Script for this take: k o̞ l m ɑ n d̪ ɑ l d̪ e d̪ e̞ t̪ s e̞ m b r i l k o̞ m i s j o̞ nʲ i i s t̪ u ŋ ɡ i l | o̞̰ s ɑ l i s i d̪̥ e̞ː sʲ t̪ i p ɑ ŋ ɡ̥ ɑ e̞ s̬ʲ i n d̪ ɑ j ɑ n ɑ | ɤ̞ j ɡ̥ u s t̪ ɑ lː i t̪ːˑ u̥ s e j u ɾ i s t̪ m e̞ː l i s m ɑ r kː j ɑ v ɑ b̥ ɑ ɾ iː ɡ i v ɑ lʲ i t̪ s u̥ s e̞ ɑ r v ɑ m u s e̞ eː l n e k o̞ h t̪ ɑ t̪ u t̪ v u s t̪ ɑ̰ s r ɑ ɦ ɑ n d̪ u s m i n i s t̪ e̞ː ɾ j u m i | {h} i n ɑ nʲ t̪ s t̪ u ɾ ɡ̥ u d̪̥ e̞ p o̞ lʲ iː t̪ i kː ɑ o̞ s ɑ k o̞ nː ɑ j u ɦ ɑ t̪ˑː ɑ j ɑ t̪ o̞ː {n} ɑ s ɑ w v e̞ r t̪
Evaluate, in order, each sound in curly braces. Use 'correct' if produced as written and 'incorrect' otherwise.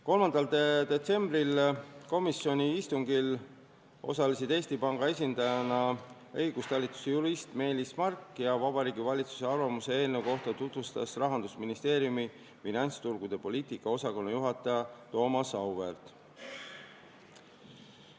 incorrect: f, incorrect: m

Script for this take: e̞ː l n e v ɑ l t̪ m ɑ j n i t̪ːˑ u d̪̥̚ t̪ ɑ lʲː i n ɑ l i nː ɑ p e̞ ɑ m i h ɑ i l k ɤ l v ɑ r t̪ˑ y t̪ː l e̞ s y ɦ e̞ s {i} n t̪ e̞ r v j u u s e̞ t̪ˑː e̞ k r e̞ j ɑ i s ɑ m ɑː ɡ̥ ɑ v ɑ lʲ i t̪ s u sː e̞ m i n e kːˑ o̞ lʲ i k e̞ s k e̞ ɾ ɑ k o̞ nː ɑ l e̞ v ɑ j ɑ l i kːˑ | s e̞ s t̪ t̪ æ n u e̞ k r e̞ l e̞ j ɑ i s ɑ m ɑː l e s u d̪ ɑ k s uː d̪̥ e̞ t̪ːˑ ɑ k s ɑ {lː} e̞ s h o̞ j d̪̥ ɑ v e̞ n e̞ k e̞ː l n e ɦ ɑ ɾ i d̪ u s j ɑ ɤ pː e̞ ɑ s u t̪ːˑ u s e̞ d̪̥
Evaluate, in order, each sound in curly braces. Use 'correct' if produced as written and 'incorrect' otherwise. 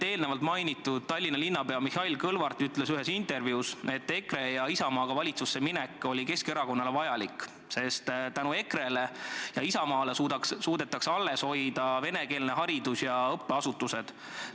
correct, correct

